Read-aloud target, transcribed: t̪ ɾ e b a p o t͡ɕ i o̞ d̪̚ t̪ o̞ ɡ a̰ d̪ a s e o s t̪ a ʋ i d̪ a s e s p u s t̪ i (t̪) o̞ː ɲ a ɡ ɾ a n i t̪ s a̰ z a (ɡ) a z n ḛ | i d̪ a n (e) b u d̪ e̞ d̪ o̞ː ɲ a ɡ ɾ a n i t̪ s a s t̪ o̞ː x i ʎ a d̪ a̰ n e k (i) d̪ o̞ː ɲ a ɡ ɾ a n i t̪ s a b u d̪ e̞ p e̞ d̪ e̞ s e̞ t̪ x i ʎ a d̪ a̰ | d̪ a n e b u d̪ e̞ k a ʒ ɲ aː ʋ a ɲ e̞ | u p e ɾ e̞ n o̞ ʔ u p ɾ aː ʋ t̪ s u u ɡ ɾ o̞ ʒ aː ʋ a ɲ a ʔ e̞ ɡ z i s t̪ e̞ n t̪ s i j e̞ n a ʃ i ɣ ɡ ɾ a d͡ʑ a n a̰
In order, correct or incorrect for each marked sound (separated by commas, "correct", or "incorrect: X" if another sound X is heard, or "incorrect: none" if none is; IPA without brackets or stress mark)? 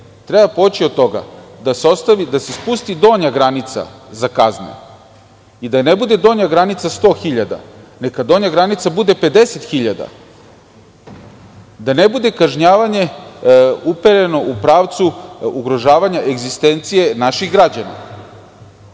incorrect: d̪, incorrect: k, correct, incorrect: a